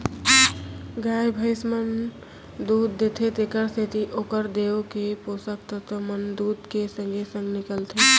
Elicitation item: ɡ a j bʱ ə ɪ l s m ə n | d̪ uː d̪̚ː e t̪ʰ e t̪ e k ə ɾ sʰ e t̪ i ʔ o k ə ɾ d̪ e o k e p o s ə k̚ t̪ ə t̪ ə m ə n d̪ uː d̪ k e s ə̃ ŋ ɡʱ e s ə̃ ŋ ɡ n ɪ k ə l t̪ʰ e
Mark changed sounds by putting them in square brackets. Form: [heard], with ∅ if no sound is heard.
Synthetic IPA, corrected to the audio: ɡ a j bʱ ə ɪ [∅] s m ə n | d̪ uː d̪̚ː e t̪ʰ e t̪ e k ə ɾ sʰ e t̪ i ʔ o k ə ɾ d̪ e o k e p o s ə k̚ t̪ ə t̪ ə m ə n d̪ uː d̪ k e s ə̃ ŋ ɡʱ e s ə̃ ŋ ɡ n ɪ k ə l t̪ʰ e